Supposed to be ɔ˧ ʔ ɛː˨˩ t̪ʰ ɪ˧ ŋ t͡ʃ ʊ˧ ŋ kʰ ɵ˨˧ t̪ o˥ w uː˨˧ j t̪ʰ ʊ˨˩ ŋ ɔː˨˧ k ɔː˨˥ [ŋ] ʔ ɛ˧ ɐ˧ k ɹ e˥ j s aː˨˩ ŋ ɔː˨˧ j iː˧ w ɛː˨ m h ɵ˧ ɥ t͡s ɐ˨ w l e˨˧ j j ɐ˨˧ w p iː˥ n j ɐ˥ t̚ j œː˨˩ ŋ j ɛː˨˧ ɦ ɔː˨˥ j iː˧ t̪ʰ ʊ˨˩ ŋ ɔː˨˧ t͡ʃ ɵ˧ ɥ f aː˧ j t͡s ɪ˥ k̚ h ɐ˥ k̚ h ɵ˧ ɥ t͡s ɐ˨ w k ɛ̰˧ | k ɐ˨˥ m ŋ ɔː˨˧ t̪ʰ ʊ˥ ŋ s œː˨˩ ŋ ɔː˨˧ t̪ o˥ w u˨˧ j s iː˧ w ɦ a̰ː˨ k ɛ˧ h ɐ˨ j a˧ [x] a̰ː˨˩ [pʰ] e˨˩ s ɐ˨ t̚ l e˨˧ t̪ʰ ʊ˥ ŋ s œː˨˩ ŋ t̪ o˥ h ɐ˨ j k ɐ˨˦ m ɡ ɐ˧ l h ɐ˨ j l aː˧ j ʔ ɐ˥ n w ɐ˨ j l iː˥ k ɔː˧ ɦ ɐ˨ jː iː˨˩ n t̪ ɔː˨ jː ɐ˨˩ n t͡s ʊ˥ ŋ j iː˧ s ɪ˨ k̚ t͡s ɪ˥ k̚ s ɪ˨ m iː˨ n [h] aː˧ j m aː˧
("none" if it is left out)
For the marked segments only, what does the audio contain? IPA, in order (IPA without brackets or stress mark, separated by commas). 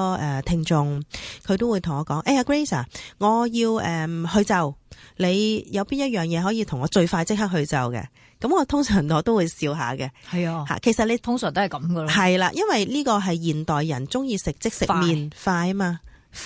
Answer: ŋ, h, kʰ, f